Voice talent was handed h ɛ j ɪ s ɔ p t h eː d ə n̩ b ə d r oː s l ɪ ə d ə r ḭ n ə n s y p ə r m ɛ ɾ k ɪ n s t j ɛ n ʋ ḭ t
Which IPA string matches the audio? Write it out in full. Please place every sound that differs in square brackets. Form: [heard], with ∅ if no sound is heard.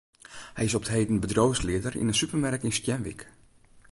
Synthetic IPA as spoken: h ɛ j ɪ s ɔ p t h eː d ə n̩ b ə d r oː s l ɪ ə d ə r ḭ n ə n s y p ə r m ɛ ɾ k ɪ n s t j ɛ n ʋ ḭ [k]